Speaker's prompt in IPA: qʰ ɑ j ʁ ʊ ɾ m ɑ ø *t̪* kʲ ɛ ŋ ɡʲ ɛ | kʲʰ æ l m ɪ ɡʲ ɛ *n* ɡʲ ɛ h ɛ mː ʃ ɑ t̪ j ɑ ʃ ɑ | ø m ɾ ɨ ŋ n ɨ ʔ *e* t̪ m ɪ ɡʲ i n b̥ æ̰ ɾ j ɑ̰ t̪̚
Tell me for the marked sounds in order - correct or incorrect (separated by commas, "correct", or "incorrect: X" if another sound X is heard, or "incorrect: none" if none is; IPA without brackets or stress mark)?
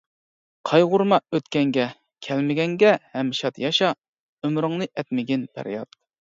correct, incorrect: ŋ, incorrect: ɛ